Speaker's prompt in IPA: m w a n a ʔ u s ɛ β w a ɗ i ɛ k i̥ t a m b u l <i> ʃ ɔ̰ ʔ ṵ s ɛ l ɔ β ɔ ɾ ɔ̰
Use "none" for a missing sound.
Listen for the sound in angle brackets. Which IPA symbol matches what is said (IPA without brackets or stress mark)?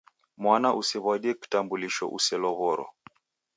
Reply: i